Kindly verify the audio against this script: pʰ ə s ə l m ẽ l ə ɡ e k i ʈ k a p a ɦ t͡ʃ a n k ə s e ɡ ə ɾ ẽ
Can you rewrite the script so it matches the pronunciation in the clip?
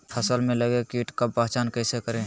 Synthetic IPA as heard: pʰ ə s ə l m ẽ l ə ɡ e k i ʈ k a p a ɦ t͡ʃ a n k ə s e k ə ɾ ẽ